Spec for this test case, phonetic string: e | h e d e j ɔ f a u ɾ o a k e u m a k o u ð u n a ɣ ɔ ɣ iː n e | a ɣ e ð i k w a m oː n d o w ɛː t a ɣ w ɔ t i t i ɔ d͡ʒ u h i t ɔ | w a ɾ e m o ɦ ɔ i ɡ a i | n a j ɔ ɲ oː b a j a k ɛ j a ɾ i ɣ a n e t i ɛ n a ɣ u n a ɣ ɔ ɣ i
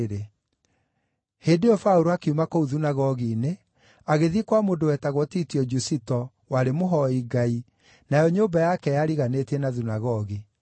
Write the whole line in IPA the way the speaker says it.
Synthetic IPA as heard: e | h e d e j ɔ f a u ɾ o a k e u m a k o u ð u n a ɣ ɔ ɣ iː n e | a ɣ e ð i k w a m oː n d o w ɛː t a ɣ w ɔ t i t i ɔ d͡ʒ u s i t ɔ | w a ɾ e m o ɦ ɔ i ɡ a i | n a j ɔ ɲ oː b a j a k ɛ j a ɾ i ɣ a n e t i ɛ n a ð u n a ɣ ɔ ɣ i